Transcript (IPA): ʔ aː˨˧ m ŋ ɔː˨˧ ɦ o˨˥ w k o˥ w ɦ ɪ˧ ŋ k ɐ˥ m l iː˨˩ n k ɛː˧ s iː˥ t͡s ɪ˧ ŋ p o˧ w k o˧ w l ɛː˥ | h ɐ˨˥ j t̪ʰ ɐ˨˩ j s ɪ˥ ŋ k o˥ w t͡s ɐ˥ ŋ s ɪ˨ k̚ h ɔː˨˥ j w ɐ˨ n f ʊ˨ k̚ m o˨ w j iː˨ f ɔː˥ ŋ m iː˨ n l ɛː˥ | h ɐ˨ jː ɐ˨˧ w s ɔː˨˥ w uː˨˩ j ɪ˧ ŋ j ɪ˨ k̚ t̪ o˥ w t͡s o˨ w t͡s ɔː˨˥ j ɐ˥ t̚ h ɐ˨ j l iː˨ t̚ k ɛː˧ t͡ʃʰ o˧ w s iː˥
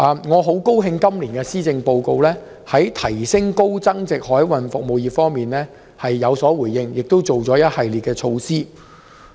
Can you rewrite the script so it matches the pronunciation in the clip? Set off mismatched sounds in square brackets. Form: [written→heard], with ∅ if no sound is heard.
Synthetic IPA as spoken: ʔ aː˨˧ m ŋ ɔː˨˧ ɦ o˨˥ w k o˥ w ɦ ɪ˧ ŋ k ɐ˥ m l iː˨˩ n k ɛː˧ s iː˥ t͡s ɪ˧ ŋ p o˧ w k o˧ w l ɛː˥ | h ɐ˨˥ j t̪ʰ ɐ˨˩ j s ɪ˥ ŋ k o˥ w t͡s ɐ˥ ŋ [s→t͡s] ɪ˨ k̚ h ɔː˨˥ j w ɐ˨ n f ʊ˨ k̚ m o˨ w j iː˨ f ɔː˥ ŋ m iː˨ n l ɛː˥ | h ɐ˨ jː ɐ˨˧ w s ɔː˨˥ w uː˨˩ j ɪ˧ ŋ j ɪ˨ k̚ t̪ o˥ w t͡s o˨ w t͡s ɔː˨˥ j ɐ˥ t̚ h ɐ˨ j l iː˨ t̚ k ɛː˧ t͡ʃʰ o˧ w s iː˥